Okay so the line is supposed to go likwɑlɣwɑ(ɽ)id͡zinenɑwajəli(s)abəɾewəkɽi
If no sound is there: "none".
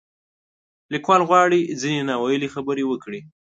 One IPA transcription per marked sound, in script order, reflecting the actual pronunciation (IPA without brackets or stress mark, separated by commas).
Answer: ɽ, x